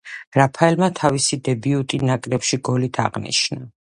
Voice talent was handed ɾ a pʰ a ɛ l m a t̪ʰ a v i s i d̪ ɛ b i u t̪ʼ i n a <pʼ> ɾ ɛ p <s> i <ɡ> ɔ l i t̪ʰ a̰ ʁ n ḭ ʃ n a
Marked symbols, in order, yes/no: no, no, yes

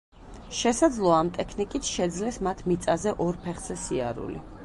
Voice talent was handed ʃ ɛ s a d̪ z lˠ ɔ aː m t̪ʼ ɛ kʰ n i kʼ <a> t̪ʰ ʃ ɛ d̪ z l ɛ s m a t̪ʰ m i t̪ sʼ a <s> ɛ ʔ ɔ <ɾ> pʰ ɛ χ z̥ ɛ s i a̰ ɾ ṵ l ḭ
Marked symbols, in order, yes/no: no, no, yes

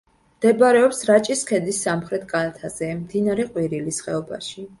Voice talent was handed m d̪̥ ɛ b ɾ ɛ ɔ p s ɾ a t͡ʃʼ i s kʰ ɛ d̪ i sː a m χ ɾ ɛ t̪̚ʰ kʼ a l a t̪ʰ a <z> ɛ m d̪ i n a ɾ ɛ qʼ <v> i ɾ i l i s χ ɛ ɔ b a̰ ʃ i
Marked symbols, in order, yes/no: yes, no

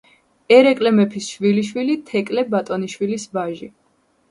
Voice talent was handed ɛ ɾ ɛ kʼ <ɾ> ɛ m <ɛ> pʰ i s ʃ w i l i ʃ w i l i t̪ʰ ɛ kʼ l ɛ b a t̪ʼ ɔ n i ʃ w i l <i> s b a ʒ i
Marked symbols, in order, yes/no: no, yes, yes

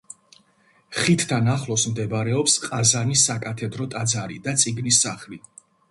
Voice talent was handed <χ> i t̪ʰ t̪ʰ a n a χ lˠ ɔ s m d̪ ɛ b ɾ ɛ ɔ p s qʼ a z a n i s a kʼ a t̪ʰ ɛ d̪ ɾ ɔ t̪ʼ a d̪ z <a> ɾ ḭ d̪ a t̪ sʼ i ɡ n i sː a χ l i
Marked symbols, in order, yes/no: yes, yes

